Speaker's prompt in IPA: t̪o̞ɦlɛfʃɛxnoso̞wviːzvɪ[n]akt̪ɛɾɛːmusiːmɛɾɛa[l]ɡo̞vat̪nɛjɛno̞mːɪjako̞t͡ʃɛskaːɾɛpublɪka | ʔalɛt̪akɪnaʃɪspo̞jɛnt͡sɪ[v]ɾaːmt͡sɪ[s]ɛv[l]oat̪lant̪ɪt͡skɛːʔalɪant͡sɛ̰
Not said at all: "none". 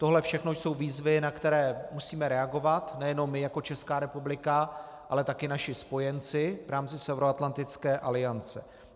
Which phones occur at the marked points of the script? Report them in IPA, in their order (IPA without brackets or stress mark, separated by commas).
n, none, v, s, ɾ